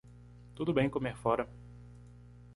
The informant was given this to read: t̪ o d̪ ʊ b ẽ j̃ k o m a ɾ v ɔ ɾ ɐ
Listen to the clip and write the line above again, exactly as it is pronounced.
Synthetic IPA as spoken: t̪ u d̪ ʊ b ẽ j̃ k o m e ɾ f ɔ ɾ ɐ